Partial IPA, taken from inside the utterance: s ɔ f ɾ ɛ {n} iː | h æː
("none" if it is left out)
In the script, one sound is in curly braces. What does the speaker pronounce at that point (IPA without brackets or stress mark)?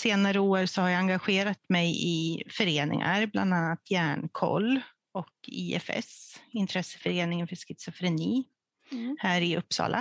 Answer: n